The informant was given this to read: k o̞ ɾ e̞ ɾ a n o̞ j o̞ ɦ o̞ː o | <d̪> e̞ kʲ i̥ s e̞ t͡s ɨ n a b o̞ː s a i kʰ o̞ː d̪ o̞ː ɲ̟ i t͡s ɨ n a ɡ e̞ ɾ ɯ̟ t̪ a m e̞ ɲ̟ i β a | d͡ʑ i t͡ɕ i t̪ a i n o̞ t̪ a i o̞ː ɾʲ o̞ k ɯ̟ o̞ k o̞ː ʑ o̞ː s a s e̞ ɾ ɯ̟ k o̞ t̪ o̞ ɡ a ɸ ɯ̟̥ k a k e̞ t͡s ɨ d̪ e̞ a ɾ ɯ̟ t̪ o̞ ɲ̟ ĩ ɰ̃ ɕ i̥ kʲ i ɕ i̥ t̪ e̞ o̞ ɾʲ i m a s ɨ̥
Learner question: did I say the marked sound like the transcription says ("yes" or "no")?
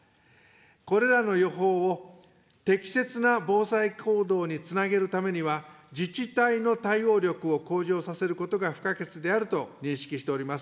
no